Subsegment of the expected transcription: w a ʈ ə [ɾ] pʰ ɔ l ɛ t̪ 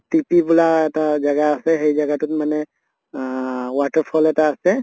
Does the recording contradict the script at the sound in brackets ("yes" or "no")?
no